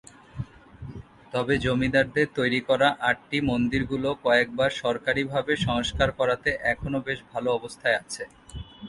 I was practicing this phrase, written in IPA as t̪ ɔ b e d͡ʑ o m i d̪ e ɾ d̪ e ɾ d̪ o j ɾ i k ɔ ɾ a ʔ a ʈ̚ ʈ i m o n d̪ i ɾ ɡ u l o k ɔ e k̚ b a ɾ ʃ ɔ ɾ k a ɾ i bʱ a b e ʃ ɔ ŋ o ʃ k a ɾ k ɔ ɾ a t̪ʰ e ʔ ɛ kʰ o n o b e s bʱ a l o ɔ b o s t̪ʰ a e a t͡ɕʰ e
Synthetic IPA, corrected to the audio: t̪ ɔ b e d͡ʑ o m i d̪ a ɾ d̪ e ɾ t̪ o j ɾ i k ɔ ɾ a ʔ a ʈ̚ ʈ i m o n d̪ i ɾ ɡ u l o k ɔ e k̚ b a ɾ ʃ ɔ ɾ k a ɾ i bʱ a b e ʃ ɔ ŋ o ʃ k a ɾ k ɔ ɾ a t̪ e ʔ ɛ kʰ o n o b e ʃ bʱ a l o ɔ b o s t̪ʰ a e a t͡ɕʰ e

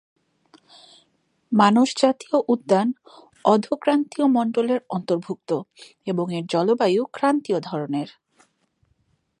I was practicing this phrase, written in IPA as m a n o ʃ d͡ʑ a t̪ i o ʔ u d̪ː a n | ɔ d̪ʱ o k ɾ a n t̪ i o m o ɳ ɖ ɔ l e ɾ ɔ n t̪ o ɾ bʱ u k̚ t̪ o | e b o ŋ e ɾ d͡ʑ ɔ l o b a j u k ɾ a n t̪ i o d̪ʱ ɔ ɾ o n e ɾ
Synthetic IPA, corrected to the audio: m a n o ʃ d͡ʑ a t̪ i o ʔ u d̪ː a n | ɔ d̪ʱ o k ɾ a n t̪ i o m ɔ ɳ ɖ o l e ɾ ɔ n t̪ o ɾ bʱ u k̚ t̪ o | e b o ŋ e ɾ d͡ʑ ɔ l o b a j u k ɾ a n t̪ i o d̪ʱ ɔ ɾ o n e ɾ

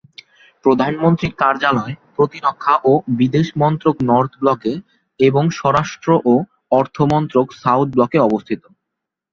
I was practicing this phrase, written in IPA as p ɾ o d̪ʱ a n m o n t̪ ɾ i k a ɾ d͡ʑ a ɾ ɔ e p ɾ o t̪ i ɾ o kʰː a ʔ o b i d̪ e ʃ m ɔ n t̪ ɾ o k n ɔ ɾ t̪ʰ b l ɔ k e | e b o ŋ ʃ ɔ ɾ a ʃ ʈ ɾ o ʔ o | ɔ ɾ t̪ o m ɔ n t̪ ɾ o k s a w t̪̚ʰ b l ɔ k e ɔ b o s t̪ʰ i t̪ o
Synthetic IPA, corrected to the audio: p ɾ o d̪ʱ a n m o n t̪ ɾ i k a ɾ d͡ʑ a l ɔ e p ɾ o t̪ i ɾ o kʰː a ʔ o b i d̪ e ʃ m ɔ n t̪ ɾ o k n ɔ ɾ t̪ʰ b l ɔ k e | e b o ŋ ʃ ɔ ɾ a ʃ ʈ ɾ o ʔ o | ɔ ɾ t̪ʰ o m ɔ n t̪ ɾ o k s a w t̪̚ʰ b l ɔ k e ɔ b o s t̪ʰ i t̪ o

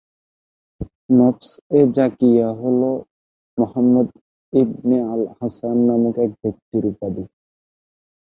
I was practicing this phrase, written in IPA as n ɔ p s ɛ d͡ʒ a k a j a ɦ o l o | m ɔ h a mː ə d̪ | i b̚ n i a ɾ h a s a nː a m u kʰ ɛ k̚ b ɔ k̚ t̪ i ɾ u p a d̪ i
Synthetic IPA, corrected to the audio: n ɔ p s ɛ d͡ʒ a k i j a ɦ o l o | m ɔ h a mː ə d̪ | i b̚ n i a l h a s a nː a m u k ɛ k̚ b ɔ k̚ t̪ i ɾ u p a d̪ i

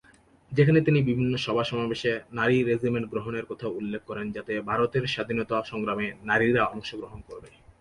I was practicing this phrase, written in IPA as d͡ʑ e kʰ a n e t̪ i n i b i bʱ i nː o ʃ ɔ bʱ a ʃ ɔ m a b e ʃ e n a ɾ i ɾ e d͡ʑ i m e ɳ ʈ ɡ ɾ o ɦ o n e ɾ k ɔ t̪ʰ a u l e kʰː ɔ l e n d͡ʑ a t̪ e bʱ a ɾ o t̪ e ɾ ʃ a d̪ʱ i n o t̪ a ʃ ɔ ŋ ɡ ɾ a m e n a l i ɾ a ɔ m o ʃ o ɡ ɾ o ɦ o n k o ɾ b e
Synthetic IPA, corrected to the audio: d͡ʑ e kʰ a n e t̪ i n i b i bʱ i nː o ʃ ɔ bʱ a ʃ ɔ m a b e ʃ e n a ɾ i ɾ e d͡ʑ i m e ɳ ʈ ɡ ɾ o ɦ o n e ɾ k ɔ t̪ʰ a u lː e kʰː ɔ ɾ e n d͡ʑ a t̪ e bʱ a ɾ o t̪ e ɾ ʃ a d̪ʱ i n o t̪ a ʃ ɔ ŋ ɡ ɾ a m e n a ɾ i ɾ a ɔ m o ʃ o ɡ ɾ o ɦ o n k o ɾ b e

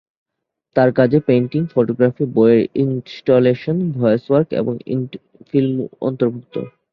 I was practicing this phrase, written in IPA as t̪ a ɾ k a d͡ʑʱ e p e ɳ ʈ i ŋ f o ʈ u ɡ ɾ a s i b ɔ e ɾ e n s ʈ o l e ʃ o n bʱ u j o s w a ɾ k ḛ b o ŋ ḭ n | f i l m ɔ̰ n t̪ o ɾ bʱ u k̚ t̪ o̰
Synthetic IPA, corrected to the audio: t̪ a ɾ k a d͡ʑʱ e p e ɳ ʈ i ŋ f o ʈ o ɡ ɾ a f i b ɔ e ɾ i n s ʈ o l e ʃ o n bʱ ɔ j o s w a ɾ k ḛ b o ŋ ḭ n | f i l m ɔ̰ n t̪ o ɾ bʱ u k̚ t̪ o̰

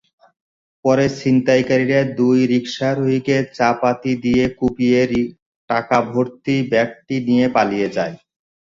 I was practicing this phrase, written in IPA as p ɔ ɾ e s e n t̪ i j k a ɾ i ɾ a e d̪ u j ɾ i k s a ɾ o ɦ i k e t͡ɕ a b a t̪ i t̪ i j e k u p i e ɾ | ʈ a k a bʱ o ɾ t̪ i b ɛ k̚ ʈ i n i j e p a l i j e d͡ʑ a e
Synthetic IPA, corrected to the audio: p ɔ ɾ e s i n t̪ a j k a ɾ i ɾ a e d̪ u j ɾ i k ʃ a ɾ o ɦ i k e t͡ɕ a p a t̪ i d̪ i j e k u p i e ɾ | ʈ a k a bʱ o ɾ t̪ i b ɛ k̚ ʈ i n i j e p a l i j e d͡ʑ a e

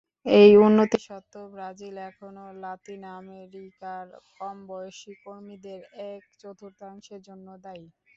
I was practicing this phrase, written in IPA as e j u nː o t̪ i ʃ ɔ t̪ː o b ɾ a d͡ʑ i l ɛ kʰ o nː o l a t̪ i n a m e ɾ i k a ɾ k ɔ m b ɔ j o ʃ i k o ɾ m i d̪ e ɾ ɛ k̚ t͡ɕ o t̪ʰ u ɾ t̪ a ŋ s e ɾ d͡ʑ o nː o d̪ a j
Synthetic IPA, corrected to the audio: e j u nː o t̪ i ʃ ɔ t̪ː o b ɾ a d͡ʑ i l ɛ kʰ o n o l a t̪ i n a m e ɾ i k a ɾ k ɔ m b ɔ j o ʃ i k o ɾ m i d̪ e ɾ ɛ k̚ t͡ɕ o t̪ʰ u ɾ t̪ a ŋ ʃ e ɾ d͡ʑ o nː o d̪ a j

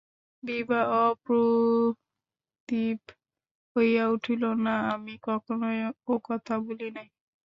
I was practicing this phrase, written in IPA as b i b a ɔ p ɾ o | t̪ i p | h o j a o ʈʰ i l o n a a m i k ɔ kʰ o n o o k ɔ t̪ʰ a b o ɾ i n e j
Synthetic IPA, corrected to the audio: b i b a ɔ p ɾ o | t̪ i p | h o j a u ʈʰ i l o n a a m i k ɔ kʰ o n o o k ɔ t̪ʰ a b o l i n a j

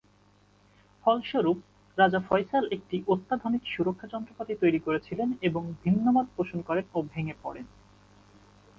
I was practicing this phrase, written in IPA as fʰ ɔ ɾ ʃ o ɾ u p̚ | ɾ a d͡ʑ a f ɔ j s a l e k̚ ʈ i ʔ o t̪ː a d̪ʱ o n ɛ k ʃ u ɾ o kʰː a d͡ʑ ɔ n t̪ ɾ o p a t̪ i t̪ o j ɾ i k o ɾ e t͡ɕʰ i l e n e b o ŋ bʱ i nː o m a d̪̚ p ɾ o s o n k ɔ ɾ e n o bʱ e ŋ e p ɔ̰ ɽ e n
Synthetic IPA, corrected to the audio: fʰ ɔ l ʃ o ɾ u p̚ | ɾ a d͡ʑ a f ɔ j s a l e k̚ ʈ i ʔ o t̪ː a d̪ʱ o n i k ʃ u ɾ o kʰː a d͡ʑ ɔ n t̪ ɾ o p a t̪ i t̪ o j ɾ i k o ɾ e t͡ɕʰ i l e n e b o ŋ bʱ i nː o m a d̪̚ p ɾ o ʃ o n k ɔ ɾ e n o bʱ e ŋ e p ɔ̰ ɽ e n

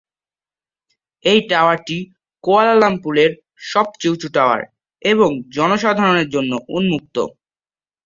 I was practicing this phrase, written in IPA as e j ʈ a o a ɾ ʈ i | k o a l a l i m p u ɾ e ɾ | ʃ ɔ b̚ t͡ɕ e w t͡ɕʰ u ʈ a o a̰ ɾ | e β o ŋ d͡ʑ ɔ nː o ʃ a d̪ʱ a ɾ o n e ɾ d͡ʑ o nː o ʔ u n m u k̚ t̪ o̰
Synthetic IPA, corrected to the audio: e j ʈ a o a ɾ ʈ i | k o a l a l a m p u l e ɾ | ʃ ɔ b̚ t͡ɕ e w t͡ɕ u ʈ a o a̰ ɾ | e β o ŋ d͡ʑ ɔ n o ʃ a d̪ʱ a ɾ o n e ɾ d͡ʑ o nː o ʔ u n m u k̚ t̪ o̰

